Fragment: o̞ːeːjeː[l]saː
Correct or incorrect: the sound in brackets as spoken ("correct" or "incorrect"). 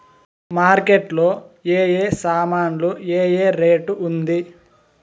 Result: incorrect